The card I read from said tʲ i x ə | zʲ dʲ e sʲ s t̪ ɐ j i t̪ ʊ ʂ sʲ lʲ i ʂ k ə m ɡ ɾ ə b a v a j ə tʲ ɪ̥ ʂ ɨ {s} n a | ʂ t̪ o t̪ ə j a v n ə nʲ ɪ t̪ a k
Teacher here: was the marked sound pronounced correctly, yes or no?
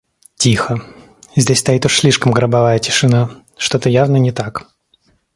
no